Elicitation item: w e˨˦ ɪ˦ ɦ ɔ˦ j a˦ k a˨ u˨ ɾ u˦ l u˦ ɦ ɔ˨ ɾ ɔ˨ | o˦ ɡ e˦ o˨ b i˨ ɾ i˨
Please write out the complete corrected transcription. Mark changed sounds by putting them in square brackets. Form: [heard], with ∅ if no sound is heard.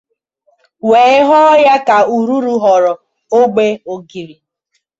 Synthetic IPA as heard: w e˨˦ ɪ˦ ɦ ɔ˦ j a˦ k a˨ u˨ ɾ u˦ [ɾ] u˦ ɦ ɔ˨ ɾ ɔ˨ | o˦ [ɡ͡b] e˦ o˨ [ɡ] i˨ ɾ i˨

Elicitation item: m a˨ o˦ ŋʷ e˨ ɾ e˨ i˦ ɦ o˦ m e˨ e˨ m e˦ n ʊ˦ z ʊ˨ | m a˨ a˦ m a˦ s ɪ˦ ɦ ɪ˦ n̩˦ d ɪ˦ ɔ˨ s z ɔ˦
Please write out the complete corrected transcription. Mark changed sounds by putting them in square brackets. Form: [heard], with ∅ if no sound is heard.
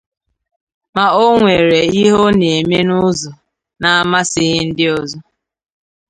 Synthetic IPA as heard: m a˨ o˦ ŋʷ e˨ ɾ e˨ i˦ ɦ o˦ [n] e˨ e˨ m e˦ n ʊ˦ z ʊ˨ | [n] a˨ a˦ m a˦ s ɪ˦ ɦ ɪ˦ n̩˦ d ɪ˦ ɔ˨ [∅] z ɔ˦

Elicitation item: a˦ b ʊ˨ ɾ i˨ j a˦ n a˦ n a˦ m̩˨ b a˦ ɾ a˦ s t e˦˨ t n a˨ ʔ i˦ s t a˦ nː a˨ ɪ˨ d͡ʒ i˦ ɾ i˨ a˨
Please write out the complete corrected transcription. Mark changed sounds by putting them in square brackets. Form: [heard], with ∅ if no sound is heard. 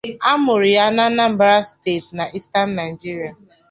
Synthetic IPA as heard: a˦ [m] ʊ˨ ɾ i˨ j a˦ n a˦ n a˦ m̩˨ b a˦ ɾ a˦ s t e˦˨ t n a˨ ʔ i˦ s t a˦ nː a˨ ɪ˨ d͡ʒ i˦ ɾ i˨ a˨

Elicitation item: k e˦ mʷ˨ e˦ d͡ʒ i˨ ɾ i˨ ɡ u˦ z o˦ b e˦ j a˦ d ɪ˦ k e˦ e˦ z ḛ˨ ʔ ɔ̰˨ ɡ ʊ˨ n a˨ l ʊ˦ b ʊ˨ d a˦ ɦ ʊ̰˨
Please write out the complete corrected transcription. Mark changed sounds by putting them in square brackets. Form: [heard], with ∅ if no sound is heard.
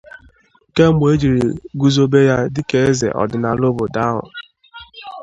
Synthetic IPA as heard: k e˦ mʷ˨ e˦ d͡ʒ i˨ ɾ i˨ ɡ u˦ z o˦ b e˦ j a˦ d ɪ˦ k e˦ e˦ z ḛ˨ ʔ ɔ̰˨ [d] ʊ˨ n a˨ l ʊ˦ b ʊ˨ d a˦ ɦ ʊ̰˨

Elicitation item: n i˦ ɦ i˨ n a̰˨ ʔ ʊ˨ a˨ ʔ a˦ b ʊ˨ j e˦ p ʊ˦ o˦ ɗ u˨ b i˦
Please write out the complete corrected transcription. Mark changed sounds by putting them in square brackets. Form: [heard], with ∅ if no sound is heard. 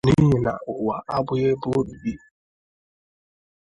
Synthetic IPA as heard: n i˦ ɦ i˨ n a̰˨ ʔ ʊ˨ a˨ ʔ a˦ b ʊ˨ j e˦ [b] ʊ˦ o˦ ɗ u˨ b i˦

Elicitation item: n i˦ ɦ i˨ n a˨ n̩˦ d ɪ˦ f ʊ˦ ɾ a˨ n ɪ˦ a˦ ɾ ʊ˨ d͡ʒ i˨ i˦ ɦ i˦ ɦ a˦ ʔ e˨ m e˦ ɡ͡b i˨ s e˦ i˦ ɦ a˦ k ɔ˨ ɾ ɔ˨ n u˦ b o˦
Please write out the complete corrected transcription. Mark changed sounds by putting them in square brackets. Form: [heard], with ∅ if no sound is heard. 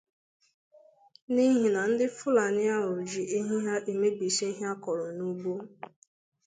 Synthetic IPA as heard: n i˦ ɦ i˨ n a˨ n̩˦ d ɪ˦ f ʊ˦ [l] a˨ n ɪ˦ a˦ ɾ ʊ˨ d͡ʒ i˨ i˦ ɦ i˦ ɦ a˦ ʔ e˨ m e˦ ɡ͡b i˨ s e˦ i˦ ɦ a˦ k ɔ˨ ɾ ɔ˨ n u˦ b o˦

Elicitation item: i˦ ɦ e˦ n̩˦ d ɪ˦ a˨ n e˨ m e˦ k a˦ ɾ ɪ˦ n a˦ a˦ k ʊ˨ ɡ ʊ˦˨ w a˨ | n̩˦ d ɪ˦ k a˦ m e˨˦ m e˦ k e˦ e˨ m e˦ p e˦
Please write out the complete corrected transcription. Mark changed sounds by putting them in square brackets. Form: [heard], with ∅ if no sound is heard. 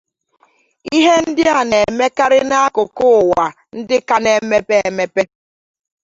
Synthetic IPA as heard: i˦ ɦ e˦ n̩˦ d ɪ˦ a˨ n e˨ m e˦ k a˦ ɾ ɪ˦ n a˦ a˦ k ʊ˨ [k] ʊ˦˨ w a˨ | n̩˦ d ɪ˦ k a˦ [n] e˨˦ m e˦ [p] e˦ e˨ m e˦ p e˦

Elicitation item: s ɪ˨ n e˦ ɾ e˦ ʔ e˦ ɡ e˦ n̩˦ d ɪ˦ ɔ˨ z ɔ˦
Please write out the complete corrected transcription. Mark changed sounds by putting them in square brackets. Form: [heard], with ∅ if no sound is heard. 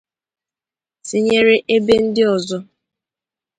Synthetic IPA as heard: s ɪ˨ [ɲ] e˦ ɾ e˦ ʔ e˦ [b] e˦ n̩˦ d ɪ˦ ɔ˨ z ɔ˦

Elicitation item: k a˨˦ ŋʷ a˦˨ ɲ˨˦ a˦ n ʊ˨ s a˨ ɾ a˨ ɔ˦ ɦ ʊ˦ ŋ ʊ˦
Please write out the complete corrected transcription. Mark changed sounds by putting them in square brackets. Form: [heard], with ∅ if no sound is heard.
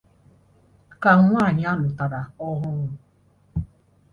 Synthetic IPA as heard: k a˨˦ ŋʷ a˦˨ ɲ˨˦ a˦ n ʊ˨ [t] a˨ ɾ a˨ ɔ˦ ɦ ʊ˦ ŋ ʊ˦

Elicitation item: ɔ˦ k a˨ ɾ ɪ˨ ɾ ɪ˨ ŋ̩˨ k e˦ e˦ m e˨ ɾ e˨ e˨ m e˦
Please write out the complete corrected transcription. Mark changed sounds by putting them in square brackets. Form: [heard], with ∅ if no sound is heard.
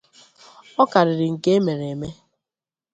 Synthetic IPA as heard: ɔ˦ k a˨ ɾ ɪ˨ ɾ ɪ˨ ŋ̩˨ k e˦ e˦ m e˨ ɾ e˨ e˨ m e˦

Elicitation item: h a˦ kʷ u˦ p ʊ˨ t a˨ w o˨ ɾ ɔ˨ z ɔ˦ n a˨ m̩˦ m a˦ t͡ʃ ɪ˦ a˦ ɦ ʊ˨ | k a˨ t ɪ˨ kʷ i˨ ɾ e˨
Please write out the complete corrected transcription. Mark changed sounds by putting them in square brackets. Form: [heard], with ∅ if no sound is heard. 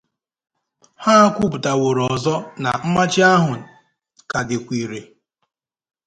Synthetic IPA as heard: h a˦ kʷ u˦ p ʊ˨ t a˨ w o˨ ɾ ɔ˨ z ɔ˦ n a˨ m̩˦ m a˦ t͡ʃ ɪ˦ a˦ ɦ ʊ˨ | k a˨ [d] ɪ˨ kʷ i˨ ɾ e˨

